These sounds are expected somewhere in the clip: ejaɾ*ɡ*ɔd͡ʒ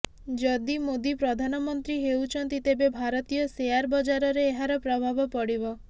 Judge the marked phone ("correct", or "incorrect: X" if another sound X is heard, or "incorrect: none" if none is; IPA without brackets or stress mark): incorrect: b